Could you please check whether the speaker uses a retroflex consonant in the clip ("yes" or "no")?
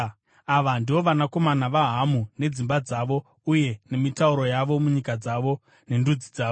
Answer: no